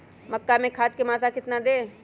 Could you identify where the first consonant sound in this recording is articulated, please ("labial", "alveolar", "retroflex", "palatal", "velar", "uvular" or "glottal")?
labial